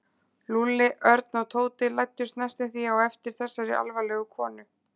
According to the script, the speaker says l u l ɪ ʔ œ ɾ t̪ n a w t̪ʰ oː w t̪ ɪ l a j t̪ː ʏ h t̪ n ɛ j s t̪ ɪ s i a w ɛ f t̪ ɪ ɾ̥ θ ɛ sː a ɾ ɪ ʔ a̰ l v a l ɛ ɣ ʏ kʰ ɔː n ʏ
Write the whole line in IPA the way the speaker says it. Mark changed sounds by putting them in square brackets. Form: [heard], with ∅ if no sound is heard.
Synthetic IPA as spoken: l u l ɪ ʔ œ ɾ t̪ n a w t̪ʰ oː w t̪ ɪ l a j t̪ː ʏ [s] t̪ n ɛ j s t̪ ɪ [θ] i a w ɛ f t̪ ɪ ɾ̥ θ ɛ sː a ɾ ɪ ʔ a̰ l v a l ɛ ɣ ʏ kʰ ɔː n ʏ